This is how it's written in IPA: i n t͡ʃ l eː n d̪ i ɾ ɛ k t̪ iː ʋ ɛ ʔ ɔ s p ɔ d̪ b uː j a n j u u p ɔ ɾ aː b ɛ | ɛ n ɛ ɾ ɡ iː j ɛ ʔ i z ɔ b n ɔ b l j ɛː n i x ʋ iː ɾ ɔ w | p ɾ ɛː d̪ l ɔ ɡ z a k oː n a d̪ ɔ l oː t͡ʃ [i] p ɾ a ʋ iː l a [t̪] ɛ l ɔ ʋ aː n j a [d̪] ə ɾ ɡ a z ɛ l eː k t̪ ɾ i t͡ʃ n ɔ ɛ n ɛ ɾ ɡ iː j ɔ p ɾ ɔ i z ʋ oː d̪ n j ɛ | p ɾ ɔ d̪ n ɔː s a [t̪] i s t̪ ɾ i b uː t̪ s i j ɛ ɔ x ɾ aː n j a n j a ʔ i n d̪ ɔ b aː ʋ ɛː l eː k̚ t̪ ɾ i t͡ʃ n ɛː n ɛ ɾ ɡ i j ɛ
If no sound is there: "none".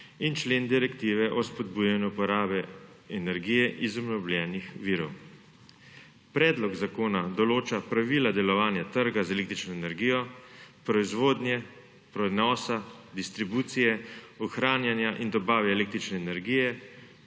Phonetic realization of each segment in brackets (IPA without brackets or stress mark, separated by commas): a, d̪, t̪, d̪